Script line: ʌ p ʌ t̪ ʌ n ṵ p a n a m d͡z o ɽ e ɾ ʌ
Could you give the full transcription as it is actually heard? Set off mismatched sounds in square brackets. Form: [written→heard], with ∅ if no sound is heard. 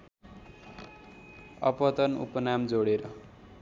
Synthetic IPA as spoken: ʌ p ʌ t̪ ʌ n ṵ p [a→ʌ] n a m d͡z o ɽ e ɾ ʌ